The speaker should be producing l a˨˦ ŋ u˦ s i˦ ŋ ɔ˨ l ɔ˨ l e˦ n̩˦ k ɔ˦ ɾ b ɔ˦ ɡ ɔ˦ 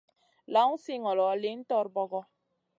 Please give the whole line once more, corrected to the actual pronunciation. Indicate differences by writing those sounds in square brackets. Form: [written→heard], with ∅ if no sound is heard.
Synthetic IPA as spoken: l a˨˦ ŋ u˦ s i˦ ŋ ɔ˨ l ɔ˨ l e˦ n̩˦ [k→t] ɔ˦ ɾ b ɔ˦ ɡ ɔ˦